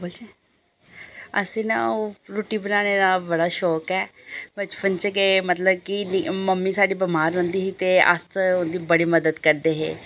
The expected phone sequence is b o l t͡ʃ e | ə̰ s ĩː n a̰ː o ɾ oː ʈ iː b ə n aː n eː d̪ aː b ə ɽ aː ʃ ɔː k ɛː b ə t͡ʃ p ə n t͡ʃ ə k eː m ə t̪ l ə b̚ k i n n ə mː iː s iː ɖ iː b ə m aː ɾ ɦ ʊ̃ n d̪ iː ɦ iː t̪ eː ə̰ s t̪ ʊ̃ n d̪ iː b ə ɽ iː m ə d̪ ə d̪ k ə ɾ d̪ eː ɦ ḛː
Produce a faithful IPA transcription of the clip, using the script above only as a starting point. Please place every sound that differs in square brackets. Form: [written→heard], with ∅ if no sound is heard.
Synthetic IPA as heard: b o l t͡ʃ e | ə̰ s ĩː n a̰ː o ɾ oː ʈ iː b ə n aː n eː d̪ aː b ə ɽ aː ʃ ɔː k ɛː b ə t͡ʃ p ə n t͡ʃ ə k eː m ə t̪ l ə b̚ k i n [n→m] ə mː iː s [iː→aː] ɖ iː b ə m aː ɾ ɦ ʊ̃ n d̪ iː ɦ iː t̪ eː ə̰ s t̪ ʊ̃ n d̪ iː b ə ɽ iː m ə d̪ ə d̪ k ə ɾ d̪ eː ɦ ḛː